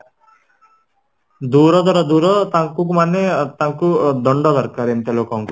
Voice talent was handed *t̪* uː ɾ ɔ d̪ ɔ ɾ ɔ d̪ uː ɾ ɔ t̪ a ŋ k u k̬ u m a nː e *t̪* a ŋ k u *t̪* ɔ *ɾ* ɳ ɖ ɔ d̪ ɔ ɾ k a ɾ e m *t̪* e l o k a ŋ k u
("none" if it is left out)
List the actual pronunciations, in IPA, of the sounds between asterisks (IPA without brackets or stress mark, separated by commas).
d̪, t̪, d̪, none, t̪